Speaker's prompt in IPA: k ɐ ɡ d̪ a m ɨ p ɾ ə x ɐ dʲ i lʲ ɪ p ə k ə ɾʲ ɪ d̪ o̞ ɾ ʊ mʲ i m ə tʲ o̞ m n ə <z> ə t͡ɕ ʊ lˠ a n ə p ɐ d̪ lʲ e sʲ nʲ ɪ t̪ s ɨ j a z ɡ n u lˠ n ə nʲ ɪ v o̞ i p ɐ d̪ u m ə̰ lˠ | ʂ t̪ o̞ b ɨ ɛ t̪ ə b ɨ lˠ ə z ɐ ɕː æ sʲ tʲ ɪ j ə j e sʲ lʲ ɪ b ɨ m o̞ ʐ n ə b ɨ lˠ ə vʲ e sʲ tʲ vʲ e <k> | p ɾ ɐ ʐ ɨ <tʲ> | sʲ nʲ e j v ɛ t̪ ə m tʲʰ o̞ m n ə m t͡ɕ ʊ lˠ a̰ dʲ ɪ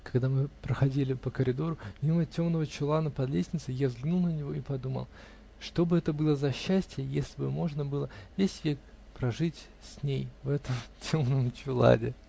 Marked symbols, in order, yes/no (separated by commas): no, yes, yes